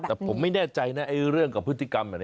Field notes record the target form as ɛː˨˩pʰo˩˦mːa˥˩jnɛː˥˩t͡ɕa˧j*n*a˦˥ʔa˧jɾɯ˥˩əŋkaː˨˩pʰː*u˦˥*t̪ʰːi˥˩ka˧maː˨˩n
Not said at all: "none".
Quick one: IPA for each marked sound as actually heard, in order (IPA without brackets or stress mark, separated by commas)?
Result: n, ɯ˦˥